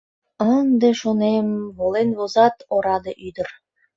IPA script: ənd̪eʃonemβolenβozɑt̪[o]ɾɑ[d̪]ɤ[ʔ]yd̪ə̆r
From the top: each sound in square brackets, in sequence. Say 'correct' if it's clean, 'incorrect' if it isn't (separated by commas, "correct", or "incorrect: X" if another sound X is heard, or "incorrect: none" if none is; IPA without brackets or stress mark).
correct, correct, correct